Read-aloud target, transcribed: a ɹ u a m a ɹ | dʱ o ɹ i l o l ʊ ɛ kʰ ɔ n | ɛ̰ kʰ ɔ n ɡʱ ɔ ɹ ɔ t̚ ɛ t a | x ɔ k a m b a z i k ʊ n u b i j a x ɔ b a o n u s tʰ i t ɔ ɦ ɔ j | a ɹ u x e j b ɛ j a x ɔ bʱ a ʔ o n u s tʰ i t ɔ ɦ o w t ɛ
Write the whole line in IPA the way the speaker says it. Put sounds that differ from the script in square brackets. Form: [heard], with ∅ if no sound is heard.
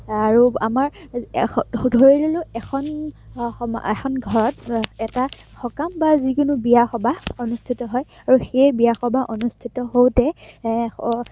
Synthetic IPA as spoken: a ɹ u a m a ɹ | dʱ o ɹ i l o l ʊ ɛ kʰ ɔ n | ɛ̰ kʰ ɔ n ɡʱ ɔ ɹ ɔ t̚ ɛ t a | x ɔ k a m b a z i k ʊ n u b i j a x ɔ b a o n u s tʰ i t ɔ ɦ ɔ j | a ɹ u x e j b [i] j a x ɔ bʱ a ʔ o n u s tʰ i t ɔ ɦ o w t ɛ

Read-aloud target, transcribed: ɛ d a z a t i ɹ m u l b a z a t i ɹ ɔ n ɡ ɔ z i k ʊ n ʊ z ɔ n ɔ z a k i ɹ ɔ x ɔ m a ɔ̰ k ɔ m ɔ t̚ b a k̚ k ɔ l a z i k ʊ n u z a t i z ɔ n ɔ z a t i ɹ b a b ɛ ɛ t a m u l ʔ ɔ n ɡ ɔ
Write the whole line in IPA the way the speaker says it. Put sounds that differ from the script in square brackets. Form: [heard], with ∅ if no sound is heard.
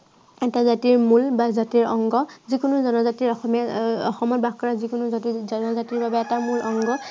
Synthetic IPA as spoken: ɛ [t] a z a t i ɹ m u l b a z a t i ɹ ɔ [ŋ] ɡ ɔ z i k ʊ n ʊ z ɔ n ɔ z a [t] i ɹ ɔ x ɔ m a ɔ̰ [x] ɔ m ɔ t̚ b a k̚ k ɔ [ɹ] a z i k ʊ n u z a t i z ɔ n ɔ z a t i ɹ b a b ɛ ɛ t a m u l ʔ ɔ [ŋ] ɡ ɔ

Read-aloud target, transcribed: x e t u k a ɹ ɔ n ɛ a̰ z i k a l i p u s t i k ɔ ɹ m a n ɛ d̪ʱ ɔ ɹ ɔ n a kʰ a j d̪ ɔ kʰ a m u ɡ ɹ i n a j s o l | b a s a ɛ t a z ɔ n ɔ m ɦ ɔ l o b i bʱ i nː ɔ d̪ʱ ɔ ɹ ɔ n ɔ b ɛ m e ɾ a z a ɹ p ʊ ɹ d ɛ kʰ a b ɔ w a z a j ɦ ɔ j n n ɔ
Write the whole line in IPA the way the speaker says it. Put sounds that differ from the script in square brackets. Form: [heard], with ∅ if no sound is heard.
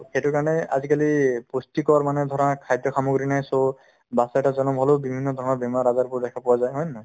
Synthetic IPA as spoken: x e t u k a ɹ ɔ n ɛ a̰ z i k a l i p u s t i k ɔ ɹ m a n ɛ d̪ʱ ɔ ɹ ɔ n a kʰ a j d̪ ɔ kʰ a m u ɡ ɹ i n a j s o [∅] | b a s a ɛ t a z ɔ n ɔ m ɦ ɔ l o b i bʱ i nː ɔ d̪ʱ ɔ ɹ ɔ n ɔ b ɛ m [a] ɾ a z a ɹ p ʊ ɹ d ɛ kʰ a [p] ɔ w a z a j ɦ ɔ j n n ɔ

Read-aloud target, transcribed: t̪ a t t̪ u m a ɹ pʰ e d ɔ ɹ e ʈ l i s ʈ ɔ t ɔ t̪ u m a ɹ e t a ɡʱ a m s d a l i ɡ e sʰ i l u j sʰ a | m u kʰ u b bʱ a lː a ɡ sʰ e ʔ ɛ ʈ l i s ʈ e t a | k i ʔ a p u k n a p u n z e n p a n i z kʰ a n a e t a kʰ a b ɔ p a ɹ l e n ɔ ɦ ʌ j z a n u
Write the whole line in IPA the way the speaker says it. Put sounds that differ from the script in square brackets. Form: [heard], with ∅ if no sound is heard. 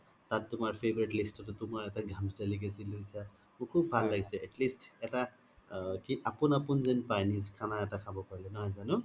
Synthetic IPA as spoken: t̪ a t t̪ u m a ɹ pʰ e [b] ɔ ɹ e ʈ l i s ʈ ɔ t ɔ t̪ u m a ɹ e t a ɡʱ a m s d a l i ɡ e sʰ i l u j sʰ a | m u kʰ u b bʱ a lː a ɡ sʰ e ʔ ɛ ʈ l i s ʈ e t a | k i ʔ a p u [∅] n a p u n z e n p a n i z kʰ a n a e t a kʰ a b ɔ p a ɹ l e n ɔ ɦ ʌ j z a n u

